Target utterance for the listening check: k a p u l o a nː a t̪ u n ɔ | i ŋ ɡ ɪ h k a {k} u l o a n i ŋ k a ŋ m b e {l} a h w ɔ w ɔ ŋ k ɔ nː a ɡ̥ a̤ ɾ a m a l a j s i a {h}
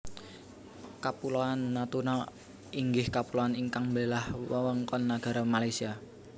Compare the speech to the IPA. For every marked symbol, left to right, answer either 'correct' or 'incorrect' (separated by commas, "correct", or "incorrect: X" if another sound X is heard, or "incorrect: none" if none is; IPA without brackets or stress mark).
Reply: incorrect: p, correct, incorrect: none